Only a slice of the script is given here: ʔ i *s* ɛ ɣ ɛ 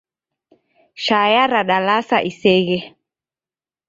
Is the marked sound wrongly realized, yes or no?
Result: no